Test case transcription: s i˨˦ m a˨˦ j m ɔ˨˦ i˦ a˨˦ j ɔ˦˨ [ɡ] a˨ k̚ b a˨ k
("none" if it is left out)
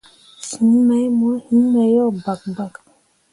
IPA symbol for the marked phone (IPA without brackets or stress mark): b